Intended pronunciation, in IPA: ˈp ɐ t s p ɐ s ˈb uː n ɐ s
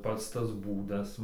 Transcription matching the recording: ˈp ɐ t s t ɐ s ˈb uː d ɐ s